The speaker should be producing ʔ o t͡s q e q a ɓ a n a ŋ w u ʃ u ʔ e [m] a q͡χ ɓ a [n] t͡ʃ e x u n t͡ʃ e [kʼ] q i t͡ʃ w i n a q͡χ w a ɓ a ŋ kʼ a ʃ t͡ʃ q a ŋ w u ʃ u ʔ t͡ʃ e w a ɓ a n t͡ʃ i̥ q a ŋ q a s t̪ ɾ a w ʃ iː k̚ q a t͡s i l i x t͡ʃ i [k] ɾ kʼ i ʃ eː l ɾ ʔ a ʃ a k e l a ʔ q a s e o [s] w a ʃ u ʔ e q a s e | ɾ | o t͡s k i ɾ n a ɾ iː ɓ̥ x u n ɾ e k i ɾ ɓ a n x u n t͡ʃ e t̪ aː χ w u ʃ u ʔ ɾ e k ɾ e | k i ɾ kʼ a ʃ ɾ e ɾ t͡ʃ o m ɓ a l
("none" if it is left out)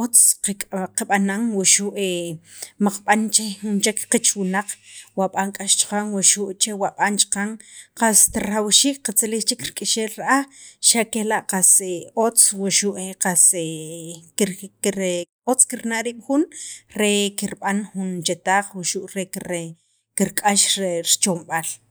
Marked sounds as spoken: m, n, k, k, t͡s

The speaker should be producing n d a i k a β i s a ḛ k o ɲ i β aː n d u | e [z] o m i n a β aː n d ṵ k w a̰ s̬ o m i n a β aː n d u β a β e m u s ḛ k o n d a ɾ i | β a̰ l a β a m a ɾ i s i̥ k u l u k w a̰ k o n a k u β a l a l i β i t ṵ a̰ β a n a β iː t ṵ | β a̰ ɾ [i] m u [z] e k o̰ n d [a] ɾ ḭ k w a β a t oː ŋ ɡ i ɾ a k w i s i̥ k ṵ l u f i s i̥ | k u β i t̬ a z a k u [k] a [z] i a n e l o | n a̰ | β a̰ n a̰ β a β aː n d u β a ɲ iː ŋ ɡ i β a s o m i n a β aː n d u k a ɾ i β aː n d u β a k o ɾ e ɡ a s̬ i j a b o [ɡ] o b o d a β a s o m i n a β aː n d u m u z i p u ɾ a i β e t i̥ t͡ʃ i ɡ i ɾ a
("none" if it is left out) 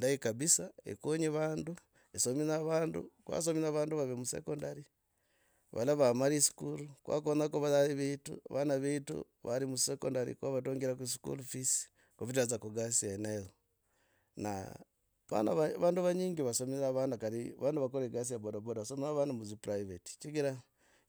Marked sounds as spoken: s, i, s, a, ɡ, s, d

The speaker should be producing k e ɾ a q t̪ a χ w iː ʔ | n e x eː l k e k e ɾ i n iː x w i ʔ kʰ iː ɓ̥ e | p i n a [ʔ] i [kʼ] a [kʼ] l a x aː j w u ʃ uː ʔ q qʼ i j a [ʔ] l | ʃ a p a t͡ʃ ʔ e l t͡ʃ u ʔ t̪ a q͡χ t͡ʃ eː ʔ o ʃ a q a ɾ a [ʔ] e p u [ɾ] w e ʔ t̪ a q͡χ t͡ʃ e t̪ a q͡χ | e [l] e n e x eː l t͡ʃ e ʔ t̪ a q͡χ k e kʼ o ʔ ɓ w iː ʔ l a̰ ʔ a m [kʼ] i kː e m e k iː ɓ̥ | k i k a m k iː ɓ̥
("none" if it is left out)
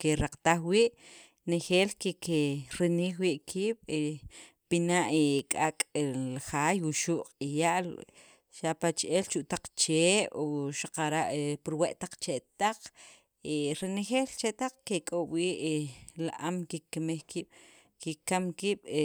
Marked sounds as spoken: ʔ, kʼ, kʼ, ʔ, ʔ, ɾ, ɾ, k

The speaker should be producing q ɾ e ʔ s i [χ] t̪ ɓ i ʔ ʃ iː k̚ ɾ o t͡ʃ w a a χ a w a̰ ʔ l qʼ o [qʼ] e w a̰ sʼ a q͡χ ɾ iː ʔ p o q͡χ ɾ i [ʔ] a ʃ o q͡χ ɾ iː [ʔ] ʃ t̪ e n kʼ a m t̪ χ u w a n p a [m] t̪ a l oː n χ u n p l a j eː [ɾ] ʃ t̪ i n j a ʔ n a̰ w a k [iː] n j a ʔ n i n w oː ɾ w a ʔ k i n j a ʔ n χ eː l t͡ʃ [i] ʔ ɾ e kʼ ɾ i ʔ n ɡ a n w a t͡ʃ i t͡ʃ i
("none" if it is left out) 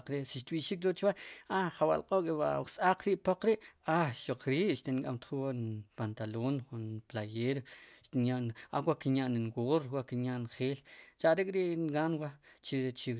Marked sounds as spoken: ʃ, kʼ, ʔ, ʔ, n, ɾ, i, a

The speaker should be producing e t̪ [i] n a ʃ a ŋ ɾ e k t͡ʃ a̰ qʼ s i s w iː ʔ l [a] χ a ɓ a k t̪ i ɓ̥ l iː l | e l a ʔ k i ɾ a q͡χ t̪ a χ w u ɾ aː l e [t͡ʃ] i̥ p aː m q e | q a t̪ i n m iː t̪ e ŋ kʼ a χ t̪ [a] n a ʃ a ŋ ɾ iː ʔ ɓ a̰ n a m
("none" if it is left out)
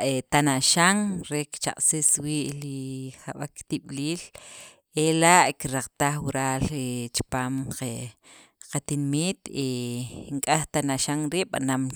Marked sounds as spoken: a, i, t͡ʃ, a

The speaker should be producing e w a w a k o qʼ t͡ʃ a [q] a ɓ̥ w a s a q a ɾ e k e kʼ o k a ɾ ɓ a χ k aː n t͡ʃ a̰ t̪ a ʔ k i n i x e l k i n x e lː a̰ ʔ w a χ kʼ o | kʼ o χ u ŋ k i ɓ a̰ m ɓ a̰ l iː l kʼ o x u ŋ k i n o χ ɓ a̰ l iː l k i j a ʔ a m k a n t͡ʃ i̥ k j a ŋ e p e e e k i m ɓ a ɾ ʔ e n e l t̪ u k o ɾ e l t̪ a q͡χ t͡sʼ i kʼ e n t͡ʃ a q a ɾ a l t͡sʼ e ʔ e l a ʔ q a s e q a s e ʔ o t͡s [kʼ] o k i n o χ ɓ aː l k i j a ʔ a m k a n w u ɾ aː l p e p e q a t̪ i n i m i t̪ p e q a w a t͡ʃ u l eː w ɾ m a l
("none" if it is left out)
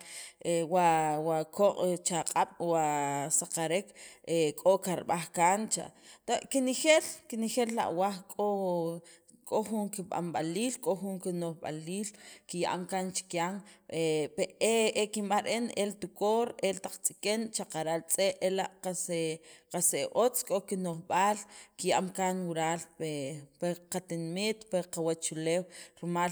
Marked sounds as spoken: qʼ, kʼ

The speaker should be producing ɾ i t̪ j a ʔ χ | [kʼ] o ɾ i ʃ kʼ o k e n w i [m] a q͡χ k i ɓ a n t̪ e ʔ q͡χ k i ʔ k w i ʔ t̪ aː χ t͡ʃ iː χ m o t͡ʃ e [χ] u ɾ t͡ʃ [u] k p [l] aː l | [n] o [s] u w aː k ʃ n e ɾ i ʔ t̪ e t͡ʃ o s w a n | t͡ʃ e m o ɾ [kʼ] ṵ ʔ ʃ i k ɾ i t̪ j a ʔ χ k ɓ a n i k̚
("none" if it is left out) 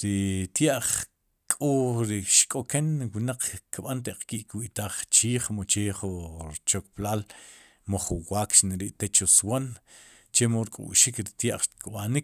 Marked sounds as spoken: kʼ, n, χ, o, l, m, χ, kʼ

